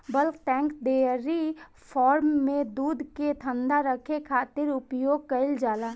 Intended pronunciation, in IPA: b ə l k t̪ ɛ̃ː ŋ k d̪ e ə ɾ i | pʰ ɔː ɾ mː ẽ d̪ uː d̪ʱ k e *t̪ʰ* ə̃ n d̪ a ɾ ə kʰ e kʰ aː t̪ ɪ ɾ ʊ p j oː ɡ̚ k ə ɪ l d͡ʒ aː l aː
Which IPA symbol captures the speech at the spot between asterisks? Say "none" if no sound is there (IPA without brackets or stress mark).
t̪ʰ